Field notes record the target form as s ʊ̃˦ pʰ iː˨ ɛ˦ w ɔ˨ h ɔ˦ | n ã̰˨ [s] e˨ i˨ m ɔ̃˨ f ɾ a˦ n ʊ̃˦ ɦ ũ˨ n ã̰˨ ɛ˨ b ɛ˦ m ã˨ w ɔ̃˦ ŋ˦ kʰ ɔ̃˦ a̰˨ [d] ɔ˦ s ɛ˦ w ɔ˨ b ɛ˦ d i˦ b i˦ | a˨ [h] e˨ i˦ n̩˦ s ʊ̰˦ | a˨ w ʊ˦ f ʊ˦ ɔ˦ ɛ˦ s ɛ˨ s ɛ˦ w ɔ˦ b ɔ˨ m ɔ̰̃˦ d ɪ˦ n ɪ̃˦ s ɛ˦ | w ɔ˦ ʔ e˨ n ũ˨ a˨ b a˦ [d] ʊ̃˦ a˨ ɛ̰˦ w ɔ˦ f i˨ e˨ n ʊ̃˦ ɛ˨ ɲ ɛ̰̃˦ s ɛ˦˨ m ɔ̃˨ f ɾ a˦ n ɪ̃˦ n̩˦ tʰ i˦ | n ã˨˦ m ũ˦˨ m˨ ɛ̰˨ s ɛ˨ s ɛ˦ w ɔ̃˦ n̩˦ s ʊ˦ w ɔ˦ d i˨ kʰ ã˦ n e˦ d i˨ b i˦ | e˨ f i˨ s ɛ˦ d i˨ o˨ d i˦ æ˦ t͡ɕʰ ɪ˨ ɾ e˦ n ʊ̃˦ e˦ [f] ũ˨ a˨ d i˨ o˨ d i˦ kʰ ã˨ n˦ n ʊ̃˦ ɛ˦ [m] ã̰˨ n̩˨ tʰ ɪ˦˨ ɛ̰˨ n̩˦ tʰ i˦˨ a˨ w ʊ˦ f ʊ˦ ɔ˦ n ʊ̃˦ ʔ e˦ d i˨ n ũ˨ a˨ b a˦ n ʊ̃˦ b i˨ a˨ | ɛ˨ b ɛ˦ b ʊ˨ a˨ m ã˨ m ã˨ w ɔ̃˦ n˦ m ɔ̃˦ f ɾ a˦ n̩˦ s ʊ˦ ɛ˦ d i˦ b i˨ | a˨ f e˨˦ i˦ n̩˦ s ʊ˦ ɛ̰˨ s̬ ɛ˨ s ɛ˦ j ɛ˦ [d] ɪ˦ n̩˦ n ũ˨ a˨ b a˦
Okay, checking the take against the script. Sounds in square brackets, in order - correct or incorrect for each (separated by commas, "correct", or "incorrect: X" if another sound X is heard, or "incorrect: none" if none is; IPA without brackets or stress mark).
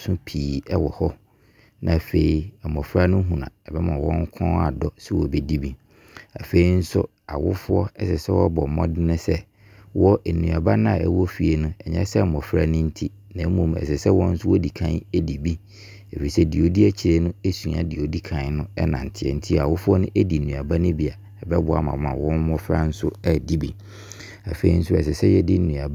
incorrect: f, correct, incorrect: f, incorrect: n, incorrect: s, incorrect: n, correct